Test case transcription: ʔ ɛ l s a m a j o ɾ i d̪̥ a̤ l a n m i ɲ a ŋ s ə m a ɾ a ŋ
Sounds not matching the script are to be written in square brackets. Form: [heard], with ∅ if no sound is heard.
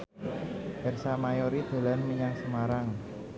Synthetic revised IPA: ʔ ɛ [r] s a m a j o ɾ i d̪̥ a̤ l a n m i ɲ a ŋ s ə m a ɾ a ŋ